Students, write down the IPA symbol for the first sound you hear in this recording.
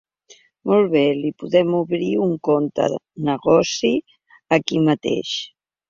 m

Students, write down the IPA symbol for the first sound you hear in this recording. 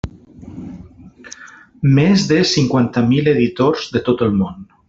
m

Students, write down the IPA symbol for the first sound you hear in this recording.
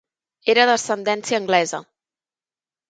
e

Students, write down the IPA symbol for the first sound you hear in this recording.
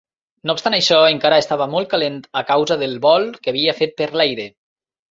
n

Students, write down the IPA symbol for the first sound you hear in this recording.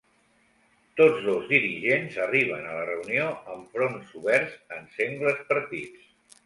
t̪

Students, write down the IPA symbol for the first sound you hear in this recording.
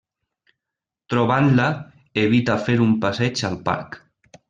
t̪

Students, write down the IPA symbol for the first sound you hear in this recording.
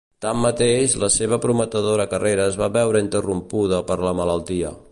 t̪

